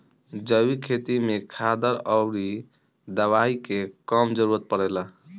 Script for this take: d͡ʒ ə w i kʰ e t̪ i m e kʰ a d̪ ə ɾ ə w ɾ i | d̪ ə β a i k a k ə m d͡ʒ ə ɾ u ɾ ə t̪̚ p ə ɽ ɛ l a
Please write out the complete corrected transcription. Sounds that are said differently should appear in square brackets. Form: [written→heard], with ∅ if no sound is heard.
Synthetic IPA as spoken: d͡ʒ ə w i kʰ e t̪ i m e kʰ a d̪ ə ɾ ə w ɾ i | d̪ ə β a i k [a→e] k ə m d͡ʒ ə ɾ u ɾ ə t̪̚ p ə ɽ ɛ l a